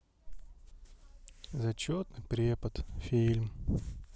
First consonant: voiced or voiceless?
voiced